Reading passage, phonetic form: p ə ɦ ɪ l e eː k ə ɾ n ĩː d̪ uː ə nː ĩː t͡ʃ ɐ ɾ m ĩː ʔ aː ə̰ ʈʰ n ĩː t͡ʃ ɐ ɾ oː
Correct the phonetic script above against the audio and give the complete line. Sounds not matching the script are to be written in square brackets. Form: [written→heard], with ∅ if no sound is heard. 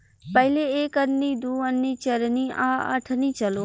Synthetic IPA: p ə ɦ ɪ l e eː k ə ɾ n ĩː d̪ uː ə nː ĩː t͡ʃ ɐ ɾ [m→n] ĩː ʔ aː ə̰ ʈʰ n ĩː t͡ʃ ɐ [ɾ→l] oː